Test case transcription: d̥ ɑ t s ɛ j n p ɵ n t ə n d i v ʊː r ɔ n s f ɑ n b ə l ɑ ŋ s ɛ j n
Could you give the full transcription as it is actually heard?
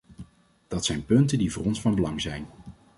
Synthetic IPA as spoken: d̥ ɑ t s ɛ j n p ɵ n t ə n d i v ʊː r ɔ n s f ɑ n b ə l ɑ ŋ z ɛ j n